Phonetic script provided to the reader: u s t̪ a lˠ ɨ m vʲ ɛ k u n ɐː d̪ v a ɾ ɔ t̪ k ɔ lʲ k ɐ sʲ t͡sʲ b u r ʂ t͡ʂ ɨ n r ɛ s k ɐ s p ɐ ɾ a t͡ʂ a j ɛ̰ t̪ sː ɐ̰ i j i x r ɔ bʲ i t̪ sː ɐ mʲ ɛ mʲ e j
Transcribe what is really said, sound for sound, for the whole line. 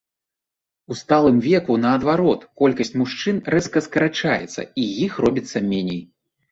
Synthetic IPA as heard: u s t̪ a lˠ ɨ m vʲ ɛ k u n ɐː d̪ v a ɾ ɔ t̪ k ɔ lʲ k ɐ sʲ t͡sʲ m u ʂ t͡ʂ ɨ n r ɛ s k ɐ s k ɐ ɾ a t͡ʂ a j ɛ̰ t̪ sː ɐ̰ i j i x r ɔ bʲ i t̪ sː ɐ mʲ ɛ nʲ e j